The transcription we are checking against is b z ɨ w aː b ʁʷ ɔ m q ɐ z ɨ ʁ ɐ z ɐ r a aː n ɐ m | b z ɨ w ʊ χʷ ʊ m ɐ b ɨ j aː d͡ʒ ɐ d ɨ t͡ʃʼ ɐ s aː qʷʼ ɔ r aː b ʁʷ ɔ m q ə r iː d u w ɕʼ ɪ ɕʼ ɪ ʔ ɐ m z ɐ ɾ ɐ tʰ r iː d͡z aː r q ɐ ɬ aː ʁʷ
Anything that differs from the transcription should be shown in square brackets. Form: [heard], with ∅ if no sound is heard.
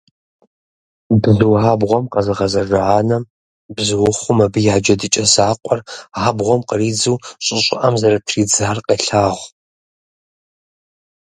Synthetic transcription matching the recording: b z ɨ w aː b ʁʷ ɔ m q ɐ z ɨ ʁ ɐ z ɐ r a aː n ɐ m | b z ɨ w ʊ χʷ ʊ m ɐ b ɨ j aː d͡ʒ ɐ d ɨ t͡ʃʼ ɐ s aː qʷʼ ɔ r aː b ʁʷ ɔ m q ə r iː [d͡z] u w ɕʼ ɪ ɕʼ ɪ ʔ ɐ m z ɐ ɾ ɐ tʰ r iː d͡z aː r q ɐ ɬ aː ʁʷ